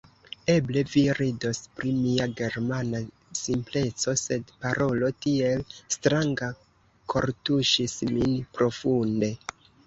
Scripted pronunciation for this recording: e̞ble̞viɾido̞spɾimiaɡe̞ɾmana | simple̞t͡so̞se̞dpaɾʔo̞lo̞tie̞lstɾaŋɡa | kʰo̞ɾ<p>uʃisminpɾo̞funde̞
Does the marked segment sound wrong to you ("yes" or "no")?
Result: yes